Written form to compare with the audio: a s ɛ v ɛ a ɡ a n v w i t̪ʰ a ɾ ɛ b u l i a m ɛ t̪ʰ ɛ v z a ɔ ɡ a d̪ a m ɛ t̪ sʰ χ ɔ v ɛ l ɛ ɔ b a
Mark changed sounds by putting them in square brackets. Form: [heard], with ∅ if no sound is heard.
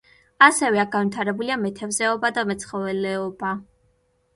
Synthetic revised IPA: a s ɛ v ɛ a ɡ a n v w i t̪ʰ a ɾ ɛ b u l i a m ɛ t̪ʰ ɛ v z [ɛ] ɔ [b] a d̪ a m ɛ t̪ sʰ χ ɔ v ɛ l ɛ ɔ b a